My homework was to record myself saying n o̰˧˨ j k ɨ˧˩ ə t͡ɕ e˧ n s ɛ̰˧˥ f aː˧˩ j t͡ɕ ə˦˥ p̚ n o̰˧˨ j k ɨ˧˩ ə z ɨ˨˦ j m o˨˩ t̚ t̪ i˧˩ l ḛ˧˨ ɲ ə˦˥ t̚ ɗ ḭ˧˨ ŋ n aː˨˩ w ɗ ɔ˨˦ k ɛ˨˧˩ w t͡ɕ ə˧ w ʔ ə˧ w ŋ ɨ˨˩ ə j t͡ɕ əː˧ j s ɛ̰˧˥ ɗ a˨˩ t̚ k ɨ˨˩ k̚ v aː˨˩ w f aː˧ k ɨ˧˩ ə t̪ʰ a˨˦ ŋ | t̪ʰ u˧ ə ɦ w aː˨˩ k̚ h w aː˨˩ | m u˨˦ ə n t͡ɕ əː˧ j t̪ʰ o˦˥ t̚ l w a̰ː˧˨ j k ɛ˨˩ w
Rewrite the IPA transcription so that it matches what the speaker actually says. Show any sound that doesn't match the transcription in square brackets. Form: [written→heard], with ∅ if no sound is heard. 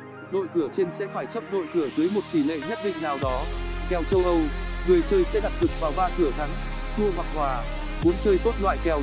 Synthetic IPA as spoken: n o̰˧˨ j k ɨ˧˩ ə t͡ɕ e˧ n s ɛ̰˧˥ f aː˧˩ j t͡ɕ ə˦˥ p̚ n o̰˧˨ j k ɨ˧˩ ə z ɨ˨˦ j m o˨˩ t̚ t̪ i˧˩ l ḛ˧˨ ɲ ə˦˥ t̚ ɗ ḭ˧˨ ŋ n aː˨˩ w ɗ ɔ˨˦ k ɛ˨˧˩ w t͡ɕ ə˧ w ʔ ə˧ w ŋ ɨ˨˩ ə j t͡ɕ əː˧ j s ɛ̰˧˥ ɗ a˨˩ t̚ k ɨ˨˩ k̚ v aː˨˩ w [f→v] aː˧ k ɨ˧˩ ə t̪ʰ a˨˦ ŋ | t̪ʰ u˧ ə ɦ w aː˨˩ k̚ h w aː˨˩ | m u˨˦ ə n t͡ɕ əː˧ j [t̪ʰ→t̪] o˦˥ t̚ l w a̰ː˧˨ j k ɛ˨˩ w